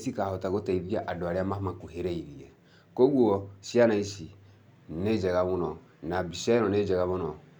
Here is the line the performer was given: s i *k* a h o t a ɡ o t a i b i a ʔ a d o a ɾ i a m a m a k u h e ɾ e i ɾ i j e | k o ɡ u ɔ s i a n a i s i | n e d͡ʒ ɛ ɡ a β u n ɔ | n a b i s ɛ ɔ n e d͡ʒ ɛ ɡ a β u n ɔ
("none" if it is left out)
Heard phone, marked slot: k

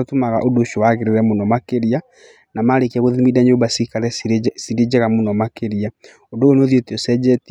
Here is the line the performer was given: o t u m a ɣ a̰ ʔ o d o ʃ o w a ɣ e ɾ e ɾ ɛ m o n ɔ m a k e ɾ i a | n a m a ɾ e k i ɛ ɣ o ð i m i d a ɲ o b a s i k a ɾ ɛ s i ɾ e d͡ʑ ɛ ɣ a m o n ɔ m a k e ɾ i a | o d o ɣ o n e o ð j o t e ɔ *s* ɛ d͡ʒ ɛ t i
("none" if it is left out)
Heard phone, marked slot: s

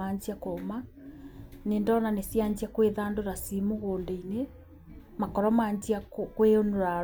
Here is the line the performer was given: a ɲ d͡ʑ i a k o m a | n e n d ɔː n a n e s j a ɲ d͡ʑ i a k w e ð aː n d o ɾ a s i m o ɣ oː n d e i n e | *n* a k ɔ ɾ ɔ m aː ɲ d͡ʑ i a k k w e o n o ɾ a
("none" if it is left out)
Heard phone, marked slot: m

